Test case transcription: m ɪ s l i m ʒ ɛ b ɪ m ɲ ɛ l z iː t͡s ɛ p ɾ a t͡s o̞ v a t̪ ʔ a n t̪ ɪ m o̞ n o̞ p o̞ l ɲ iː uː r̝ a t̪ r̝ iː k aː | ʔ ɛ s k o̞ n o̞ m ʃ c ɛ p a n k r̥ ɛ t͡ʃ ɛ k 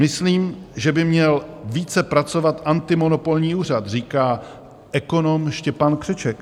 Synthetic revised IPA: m ɪ s l iː m ʒ ɛ b ɪ m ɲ ɛ l v iː t͡s ɛ p ɾ a t͡s o̞ v a t̪ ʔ a n t̪ ɪ m o̞ n o̞ p o̞ l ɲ iː uː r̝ a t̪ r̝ iː k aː | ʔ ɛ k o̞ n o̞ m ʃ c ɛ p a n k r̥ ɛ t͡ʃ ɛ k